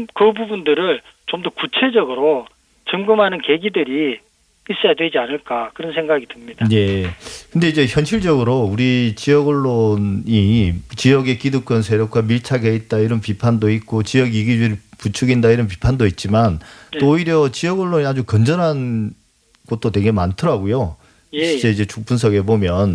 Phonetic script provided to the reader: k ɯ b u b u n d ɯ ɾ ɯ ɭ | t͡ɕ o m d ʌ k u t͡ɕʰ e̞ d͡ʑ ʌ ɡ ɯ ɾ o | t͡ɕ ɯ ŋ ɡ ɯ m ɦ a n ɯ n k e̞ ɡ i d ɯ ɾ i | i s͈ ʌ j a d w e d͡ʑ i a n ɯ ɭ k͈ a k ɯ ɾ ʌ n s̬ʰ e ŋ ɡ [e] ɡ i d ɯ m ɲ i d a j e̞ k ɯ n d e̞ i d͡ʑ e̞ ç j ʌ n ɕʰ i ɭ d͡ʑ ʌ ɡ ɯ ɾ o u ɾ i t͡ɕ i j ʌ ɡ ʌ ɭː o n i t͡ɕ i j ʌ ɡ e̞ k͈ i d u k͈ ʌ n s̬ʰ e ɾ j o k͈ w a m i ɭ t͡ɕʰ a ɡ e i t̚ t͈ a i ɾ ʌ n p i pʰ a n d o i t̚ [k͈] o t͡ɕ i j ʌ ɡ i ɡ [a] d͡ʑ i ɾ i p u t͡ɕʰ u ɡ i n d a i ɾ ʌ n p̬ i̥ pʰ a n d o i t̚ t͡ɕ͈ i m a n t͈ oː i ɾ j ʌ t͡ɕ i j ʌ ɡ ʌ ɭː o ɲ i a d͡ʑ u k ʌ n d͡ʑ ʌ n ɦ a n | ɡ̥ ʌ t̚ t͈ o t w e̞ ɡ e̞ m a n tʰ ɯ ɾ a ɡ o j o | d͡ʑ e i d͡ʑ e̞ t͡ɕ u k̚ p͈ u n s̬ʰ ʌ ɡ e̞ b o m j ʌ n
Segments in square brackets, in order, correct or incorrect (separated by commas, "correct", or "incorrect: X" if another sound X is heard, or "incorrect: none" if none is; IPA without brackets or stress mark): incorrect: a, correct, incorrect: i